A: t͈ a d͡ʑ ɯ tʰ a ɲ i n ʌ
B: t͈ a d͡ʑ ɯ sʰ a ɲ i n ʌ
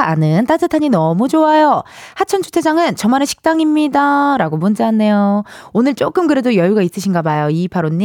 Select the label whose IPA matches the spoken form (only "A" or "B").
A